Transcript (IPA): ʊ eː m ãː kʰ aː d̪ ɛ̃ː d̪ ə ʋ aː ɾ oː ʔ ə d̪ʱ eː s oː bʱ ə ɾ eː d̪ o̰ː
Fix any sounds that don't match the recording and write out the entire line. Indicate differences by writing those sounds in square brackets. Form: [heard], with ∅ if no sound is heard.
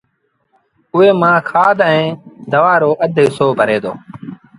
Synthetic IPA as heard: ʊ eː m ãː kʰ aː d̪ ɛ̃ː d̪ ə ʋ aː ɾ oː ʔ ə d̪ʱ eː s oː bʱ ə ɾ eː d̪ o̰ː